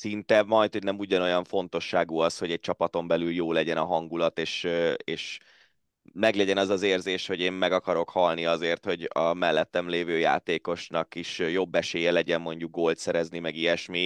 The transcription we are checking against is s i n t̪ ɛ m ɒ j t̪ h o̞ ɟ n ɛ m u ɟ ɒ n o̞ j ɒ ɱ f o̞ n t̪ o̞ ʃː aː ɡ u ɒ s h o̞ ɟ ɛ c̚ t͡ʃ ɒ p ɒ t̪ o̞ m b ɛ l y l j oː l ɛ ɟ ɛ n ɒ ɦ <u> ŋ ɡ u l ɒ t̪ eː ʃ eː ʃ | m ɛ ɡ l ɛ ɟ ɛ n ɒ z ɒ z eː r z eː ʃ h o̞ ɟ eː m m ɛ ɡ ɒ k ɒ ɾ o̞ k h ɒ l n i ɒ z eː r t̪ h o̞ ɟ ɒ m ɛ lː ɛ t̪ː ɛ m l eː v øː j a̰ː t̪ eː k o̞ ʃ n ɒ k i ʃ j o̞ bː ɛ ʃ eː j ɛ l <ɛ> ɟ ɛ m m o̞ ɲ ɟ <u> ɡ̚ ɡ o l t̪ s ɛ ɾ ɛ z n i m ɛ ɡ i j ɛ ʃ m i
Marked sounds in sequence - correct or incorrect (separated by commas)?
incorrect, correct, correct